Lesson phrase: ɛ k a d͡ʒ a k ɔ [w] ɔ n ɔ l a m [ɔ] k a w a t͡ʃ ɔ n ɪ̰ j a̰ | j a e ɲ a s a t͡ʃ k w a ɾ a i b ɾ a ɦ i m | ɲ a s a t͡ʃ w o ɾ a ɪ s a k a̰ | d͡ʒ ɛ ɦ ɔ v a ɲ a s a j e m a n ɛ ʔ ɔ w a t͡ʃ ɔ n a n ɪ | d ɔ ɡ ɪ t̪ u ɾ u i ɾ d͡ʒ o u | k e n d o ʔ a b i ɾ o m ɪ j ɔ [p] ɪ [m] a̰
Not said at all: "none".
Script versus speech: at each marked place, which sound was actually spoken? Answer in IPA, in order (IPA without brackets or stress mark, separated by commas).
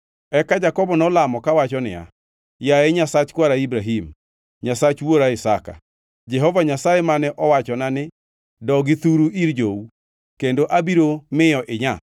b, ɔ, ʔ, ɲ